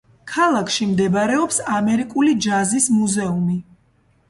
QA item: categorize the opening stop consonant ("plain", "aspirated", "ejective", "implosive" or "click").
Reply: aspirated